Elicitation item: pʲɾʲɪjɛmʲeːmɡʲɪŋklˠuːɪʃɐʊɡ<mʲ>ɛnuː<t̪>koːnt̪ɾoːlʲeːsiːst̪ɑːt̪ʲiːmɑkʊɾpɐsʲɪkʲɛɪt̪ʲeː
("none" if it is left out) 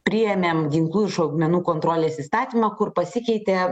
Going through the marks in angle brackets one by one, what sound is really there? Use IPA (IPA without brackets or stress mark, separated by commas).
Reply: mʲ, none